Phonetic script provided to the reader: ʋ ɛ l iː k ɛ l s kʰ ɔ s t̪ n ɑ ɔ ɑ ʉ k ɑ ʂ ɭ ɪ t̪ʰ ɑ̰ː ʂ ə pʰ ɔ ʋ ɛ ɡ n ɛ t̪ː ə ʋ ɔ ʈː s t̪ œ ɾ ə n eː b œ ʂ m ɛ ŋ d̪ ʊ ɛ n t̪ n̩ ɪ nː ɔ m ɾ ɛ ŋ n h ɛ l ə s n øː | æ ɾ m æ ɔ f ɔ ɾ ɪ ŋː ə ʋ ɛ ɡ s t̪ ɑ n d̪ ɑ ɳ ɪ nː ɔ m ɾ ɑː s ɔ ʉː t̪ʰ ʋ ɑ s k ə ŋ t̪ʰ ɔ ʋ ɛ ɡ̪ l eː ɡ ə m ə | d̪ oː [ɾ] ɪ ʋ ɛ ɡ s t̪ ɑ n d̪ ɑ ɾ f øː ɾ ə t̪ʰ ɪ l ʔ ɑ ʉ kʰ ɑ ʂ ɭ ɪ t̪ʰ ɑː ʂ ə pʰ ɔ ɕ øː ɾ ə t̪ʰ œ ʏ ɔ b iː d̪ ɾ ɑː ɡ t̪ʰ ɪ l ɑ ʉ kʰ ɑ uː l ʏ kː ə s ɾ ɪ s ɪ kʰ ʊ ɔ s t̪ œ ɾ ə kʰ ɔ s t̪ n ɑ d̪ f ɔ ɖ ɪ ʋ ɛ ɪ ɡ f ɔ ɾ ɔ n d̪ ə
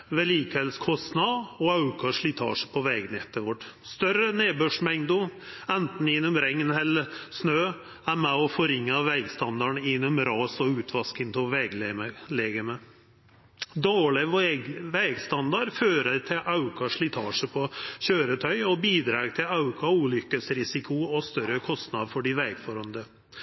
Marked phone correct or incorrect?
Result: incorrect: ɭ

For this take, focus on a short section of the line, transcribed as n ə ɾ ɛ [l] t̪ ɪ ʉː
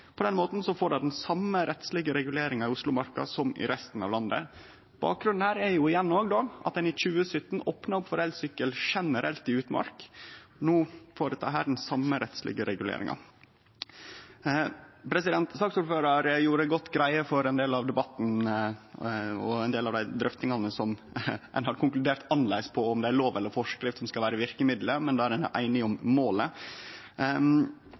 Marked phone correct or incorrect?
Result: correct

